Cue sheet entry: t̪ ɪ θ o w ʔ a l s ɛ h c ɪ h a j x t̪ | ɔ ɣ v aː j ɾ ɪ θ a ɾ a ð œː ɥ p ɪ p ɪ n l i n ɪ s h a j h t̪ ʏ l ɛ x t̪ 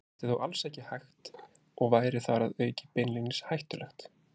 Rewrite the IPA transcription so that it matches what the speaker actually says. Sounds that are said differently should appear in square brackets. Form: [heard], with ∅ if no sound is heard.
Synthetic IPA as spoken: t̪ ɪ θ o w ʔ a l s ɛ h c ɪ h a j x t̪ | ɔ ɣ v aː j ɾ ɪ θ a ɾ a ð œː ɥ [c] ɪ p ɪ n l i n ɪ s h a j h t̪ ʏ l ɛ x t̪